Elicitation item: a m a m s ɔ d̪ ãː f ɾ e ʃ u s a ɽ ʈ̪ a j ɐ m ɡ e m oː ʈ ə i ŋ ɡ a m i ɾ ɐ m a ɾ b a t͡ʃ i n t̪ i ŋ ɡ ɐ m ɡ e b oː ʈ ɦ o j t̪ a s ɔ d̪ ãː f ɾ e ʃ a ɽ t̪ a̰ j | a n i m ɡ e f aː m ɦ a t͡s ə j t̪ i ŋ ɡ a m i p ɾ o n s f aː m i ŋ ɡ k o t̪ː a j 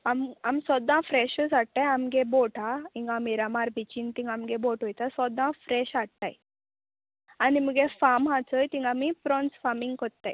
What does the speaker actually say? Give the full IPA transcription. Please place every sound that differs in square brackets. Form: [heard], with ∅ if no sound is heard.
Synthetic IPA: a m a m s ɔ d̪ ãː f ɾ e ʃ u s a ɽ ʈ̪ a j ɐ m ɡ e [b] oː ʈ [a] i ŋ ɡ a m i ɾ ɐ m a ɾ b [i] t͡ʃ i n t̪ i ŋ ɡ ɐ m ɡ e b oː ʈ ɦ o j t̪ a s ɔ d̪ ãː f ɾ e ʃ a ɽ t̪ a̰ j | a n i m ɡ e f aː m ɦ a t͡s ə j t̪ i ŋ ɡ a m i p ɾ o n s f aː m i ŋ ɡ k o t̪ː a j